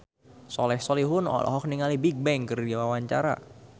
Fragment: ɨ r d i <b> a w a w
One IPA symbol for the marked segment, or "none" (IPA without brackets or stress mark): none